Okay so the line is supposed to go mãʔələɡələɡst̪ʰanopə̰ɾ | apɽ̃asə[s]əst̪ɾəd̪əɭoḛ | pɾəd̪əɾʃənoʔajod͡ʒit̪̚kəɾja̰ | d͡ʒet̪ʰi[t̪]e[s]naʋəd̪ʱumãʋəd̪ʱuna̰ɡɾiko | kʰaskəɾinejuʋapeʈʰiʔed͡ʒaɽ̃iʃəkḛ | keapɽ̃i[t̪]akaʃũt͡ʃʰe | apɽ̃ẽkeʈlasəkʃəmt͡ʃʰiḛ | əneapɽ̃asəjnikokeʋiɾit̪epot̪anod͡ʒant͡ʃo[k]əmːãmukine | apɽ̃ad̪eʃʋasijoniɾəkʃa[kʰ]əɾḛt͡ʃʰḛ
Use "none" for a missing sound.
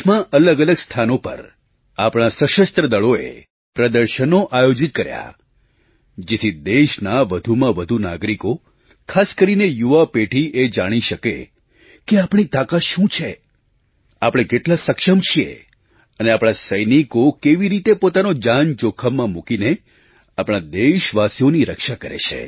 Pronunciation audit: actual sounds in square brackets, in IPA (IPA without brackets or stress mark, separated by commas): ʃ, d̪, ʃ, t̪, kʰ, k